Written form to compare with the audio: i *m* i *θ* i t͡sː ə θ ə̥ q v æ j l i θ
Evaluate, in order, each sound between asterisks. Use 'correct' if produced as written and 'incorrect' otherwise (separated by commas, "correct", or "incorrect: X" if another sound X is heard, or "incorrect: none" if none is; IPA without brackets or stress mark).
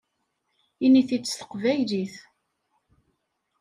incorrect: n, correct